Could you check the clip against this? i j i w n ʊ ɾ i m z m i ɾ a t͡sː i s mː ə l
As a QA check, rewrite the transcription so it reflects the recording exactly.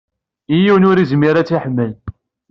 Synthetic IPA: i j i w n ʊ ɾ i z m i ɾ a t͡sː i ħ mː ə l

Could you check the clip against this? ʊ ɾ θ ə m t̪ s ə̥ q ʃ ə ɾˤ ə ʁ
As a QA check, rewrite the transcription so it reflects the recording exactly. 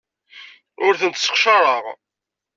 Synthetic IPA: ʊ ɾ θ ə n t̪ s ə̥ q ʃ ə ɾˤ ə ʁ

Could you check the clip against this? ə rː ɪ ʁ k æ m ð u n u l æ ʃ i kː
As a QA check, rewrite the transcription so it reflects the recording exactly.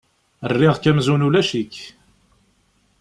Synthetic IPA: ə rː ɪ ʁ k æ m z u n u l æ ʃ i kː

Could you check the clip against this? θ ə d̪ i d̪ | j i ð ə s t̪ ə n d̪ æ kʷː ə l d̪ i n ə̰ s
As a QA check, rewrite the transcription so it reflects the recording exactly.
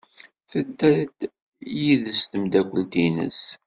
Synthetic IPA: θ ə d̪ æ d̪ | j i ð ə s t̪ ə m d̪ æ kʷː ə l t̪ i n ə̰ s

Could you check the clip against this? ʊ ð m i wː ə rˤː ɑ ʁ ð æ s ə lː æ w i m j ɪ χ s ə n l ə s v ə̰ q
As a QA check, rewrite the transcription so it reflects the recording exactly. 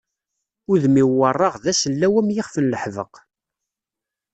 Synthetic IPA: ʊ ð m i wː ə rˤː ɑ ʁ ð æ s ə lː æ w æ m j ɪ χ f ə n l ə ħ v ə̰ q

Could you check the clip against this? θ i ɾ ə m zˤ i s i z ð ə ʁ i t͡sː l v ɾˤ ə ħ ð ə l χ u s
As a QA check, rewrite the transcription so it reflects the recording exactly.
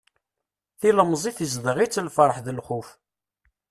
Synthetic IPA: θ i l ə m zˤ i θ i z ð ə ʁ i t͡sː l f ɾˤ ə ħ ð ə l χ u f

